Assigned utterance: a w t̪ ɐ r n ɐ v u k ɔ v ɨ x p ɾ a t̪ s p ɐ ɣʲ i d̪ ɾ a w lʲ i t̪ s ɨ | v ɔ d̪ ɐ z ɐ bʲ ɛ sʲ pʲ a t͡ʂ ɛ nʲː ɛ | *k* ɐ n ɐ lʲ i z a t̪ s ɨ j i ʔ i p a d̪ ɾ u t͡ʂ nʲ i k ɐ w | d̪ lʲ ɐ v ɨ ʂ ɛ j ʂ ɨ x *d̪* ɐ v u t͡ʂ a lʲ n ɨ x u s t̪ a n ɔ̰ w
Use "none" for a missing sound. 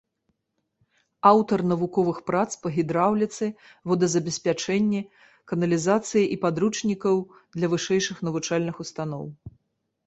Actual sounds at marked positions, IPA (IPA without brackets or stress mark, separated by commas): k, n̪